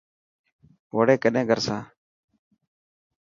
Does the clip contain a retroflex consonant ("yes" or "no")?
yes